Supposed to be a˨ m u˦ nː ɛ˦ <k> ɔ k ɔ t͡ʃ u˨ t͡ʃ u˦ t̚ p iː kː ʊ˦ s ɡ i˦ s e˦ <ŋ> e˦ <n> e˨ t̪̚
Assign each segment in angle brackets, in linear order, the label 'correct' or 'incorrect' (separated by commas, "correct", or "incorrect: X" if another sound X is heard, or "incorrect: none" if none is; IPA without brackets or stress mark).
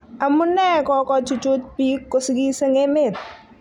correct, correct, incorrect: m